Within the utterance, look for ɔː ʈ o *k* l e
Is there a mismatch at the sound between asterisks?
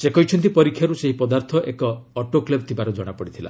no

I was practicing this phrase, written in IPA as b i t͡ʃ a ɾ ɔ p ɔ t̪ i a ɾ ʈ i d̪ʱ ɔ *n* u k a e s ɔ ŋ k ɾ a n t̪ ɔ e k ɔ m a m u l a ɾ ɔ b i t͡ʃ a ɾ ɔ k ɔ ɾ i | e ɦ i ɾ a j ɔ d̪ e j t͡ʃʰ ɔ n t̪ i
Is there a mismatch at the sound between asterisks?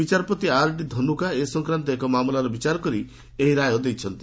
no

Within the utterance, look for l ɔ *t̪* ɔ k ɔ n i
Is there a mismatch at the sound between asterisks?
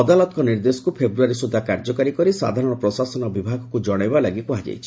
no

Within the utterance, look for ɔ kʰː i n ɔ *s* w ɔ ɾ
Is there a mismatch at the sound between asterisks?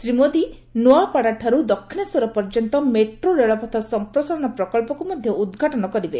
no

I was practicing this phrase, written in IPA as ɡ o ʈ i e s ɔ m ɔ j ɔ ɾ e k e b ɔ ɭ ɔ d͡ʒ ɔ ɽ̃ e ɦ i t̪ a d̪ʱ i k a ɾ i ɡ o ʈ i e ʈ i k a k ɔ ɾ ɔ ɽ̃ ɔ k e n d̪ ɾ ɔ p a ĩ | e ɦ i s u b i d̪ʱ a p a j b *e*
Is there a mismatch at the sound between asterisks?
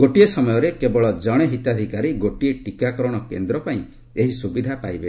no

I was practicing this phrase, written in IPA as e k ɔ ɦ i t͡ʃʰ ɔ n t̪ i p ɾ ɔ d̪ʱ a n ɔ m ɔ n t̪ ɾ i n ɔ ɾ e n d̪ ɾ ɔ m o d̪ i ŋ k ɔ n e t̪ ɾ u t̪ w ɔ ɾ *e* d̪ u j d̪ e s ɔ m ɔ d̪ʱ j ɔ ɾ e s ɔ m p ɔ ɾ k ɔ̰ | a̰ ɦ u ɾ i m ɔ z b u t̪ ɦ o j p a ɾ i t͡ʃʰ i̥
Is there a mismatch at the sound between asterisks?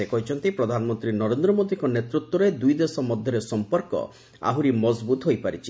no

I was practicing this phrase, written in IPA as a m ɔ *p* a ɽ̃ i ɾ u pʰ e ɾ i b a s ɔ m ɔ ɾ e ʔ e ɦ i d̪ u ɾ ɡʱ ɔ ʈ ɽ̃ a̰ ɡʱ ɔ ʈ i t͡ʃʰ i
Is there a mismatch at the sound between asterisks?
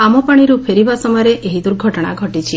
no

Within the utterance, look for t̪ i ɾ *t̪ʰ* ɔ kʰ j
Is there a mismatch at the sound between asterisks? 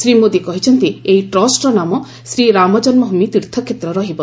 no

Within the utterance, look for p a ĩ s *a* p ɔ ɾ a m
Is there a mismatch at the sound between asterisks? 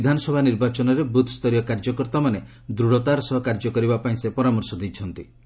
yes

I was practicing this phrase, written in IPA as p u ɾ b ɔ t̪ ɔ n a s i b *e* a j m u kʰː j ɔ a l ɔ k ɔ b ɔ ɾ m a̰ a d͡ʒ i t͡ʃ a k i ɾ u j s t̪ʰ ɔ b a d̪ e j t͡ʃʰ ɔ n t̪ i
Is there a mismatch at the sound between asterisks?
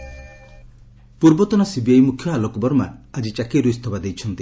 yes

